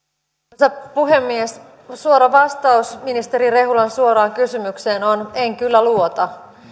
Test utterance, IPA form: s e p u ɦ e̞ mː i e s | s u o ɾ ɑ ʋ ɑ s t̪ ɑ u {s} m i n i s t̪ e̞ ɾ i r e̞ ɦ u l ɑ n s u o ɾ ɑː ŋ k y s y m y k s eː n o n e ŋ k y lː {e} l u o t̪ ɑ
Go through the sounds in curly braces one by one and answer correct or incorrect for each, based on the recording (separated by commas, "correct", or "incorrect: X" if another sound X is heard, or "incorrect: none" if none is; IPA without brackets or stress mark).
correct, incorrect: æ